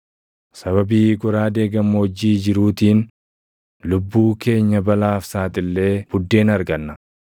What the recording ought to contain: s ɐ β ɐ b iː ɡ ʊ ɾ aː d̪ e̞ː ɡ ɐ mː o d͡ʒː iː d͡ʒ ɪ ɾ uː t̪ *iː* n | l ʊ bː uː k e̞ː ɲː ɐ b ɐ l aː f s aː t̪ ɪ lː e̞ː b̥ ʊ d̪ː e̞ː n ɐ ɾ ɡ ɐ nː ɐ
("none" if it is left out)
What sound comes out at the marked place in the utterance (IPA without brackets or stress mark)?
iː